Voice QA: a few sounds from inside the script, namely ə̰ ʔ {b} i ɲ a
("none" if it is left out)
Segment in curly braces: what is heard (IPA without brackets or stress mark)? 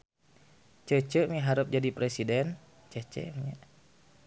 m